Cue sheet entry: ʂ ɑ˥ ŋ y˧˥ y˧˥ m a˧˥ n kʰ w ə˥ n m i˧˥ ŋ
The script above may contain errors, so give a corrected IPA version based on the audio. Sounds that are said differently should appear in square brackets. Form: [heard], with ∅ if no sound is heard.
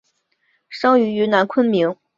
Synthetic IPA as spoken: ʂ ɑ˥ ŋ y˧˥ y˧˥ [n] a˧˥ n kʰ w ə˥ n m i˧˥ ŋ

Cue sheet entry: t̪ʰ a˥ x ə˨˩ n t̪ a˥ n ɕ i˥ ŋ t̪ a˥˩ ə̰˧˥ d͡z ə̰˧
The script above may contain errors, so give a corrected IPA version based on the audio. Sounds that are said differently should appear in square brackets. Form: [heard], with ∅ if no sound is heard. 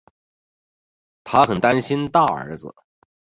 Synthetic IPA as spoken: t̪ʰ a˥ x ə˨˩ n t̪ a˥ n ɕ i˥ [n] t̪ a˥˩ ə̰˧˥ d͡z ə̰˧

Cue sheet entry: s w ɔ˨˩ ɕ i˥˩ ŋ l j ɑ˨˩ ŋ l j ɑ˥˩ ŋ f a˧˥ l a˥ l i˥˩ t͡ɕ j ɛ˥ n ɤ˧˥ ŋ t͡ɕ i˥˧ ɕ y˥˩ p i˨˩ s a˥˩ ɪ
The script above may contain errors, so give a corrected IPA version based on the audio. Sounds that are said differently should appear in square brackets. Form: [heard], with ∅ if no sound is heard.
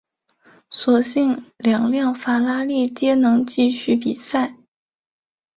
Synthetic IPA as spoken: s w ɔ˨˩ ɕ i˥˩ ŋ l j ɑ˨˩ ŋ l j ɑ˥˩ ŋ f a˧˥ l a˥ l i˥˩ t͡ɕ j ɛ˥ n ɤ˧˥ ŋ t͡ɕ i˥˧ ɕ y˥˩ p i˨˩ s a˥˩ ɪ

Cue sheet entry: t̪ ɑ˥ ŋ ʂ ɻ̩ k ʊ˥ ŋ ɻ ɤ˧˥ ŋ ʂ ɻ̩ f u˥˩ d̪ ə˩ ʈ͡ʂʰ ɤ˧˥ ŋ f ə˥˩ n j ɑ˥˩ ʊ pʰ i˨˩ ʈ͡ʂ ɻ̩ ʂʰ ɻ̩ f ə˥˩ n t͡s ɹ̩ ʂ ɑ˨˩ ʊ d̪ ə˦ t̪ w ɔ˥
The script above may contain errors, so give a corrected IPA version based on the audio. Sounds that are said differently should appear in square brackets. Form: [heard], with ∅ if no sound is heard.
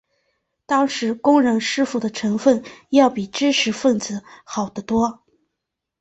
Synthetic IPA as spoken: t̪ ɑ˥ ŋ ʂ ɻ̩ k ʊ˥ ŋ ɻ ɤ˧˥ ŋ ʂ ɻ̩ f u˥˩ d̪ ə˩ ʈ͡ʂʰ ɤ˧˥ ŋ f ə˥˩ n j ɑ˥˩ ʊ [p] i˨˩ ʈ͡ʂ ɻ̩ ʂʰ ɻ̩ f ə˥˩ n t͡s ɹ̩ [x] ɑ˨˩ ʊ d̪ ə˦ t̪ w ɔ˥

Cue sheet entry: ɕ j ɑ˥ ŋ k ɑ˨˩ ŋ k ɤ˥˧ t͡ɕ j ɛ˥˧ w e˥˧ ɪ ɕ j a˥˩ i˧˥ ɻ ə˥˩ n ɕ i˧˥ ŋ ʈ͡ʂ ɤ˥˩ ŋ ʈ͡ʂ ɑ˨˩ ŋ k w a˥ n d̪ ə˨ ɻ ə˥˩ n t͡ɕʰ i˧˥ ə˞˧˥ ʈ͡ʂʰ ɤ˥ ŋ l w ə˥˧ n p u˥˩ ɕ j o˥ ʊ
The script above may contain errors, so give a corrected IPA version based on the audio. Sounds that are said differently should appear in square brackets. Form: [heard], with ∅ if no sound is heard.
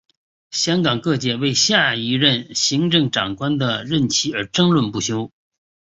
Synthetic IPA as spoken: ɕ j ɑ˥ ŋ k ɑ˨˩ ŋ k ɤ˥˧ t͡ɕ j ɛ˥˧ w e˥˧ ɪ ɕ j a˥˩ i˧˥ ɻ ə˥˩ n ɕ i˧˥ ŋ ʈ͡ʂ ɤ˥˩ ŋ ʈ͡ʂ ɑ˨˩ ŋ k w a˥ n d̪ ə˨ ɻ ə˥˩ n t͡ɕʰ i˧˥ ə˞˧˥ [ʈ͡ʂ] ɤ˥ ŋ l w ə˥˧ n p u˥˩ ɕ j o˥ ʊ

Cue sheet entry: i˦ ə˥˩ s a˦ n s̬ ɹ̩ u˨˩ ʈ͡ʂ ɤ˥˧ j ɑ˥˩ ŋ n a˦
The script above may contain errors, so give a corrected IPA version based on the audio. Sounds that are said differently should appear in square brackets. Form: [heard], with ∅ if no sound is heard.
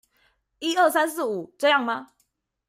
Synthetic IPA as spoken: i˦ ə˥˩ s a˦ n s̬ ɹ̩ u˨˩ ʈ͡ʂ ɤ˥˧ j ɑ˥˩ ŋ [m] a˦

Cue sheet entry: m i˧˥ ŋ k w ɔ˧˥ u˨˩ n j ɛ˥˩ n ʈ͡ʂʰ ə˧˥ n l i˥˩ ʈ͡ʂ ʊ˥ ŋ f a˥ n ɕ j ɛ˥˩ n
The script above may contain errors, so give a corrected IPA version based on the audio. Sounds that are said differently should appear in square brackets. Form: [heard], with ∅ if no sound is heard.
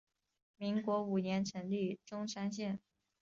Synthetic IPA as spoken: m i˧˥ ŋ k w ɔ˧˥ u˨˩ n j [ɛ˧˥] n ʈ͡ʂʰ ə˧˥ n l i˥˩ ʈ͡ʂ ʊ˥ ŋ [ʂ] a˥ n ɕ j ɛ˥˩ n

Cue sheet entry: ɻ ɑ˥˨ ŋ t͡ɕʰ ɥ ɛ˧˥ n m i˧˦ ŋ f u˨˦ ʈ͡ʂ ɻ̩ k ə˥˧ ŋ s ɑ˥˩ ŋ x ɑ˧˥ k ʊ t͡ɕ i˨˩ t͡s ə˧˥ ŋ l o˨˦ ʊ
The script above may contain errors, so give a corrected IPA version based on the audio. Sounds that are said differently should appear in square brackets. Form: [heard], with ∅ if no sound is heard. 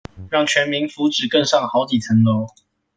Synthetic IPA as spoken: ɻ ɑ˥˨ ŋ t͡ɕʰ ɥ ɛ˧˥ n m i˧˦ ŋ f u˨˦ ʈ͡ʂ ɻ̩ k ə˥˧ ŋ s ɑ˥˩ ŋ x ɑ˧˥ [∅] ʊ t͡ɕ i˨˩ [t͡sʰ] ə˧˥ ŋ l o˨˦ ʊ

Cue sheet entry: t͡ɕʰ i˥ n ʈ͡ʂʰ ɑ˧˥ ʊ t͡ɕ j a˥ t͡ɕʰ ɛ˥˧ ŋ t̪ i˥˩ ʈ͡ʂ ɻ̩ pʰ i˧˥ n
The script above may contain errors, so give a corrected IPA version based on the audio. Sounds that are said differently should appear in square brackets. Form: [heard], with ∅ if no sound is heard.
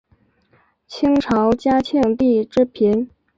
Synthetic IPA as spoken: t͡ɕʰ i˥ [ŋ] ʈ͡ʂʰ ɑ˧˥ ʊ t͡ɕ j a˥ t͡ɕʰ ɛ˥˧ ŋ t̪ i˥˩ ʈ͡ʂ ɻ̩ pʰ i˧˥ n

